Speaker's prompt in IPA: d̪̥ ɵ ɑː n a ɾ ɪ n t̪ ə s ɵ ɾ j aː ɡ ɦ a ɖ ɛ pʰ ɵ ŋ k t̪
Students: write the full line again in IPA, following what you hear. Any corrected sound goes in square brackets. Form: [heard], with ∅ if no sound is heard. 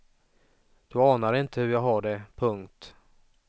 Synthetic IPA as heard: d̪̥ ɵ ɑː n a ɾ ɪ n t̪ ə [h] ɵ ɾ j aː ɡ ɦ a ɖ ɛ pʰ ɵ ŋ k t̪